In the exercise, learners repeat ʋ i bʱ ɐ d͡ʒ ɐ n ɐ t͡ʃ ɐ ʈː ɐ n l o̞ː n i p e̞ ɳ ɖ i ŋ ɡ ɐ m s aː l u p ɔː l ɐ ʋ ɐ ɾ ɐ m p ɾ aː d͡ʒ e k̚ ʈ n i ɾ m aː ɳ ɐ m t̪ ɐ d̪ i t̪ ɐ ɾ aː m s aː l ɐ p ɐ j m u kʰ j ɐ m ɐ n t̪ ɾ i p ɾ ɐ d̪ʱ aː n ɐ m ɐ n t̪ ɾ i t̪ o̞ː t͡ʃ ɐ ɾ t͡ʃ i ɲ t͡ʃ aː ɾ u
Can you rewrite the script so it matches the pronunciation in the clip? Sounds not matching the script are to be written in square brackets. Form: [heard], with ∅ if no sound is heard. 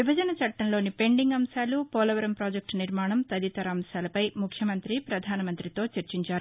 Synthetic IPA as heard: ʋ i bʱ ɐ d͡ʒ ɐ n ɐ t͡ʃ ɐ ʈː ɐ n l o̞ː n i p e̞ ɳ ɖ i ŋ ɡ ɐ m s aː l u p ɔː l ɐ ʋ ɐ ɾ ɐ m p ɾ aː d͡ʒ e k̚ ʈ n i ɾ m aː ɳ ɐ m t̪ ɐ d̪ i t̪ ɐ ɾ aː m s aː l ɐ p ɐ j m u kʰ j ɐ m ɐ n t̪ ɾ i p ɾ ɐ d̪ʱ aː n ɐ m ɐ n t̪ ɾ i t̪ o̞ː t͡ʃ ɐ ɾ t͡ʃ i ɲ t͡ʃ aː ɾ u